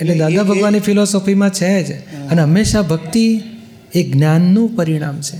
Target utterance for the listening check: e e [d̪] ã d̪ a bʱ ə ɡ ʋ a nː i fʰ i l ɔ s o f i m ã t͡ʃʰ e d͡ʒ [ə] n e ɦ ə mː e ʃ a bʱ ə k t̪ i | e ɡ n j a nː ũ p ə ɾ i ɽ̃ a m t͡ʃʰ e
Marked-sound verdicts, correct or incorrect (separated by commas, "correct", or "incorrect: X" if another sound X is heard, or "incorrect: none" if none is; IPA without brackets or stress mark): correct, correct